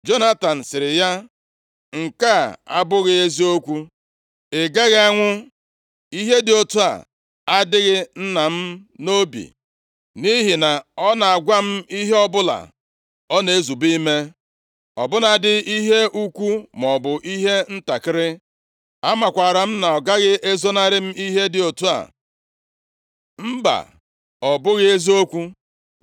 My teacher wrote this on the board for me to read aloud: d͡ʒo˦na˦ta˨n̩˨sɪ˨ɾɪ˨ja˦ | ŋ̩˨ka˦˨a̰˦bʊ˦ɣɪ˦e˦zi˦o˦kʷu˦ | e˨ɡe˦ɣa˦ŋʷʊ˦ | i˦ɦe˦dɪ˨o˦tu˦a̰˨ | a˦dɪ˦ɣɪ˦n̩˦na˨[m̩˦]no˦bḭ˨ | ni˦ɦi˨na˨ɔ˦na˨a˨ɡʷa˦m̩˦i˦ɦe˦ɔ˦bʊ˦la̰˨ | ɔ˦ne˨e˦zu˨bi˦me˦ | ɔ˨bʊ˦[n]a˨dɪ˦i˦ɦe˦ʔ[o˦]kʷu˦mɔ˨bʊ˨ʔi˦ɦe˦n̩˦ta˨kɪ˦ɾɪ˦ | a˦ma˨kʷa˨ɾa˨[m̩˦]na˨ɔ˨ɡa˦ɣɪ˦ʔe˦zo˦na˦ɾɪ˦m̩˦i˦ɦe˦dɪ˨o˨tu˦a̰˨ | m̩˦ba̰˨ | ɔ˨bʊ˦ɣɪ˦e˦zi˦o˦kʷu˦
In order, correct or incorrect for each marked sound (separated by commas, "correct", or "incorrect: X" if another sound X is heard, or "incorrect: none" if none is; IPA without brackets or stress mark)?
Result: correct, correct, incorrect: u˦, correct